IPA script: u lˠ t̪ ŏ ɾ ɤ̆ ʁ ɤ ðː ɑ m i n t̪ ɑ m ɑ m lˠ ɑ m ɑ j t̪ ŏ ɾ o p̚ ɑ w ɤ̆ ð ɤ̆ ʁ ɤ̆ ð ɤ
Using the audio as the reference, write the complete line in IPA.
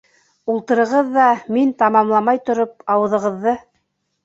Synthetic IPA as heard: u lˠ t̪ ɤ̆ ɾ ɤ̆ ʁ ɤ ðː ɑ m i n t̪ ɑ m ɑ m lˠ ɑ m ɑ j t̪ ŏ ɾ o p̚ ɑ w ɤ̆ ð ɤ̆ ʁ ɤ̆ ðː ɤ